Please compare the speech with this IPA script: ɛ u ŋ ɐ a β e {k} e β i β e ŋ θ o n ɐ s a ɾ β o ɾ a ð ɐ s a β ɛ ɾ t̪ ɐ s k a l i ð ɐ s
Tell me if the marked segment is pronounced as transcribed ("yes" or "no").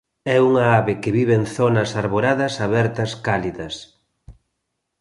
yes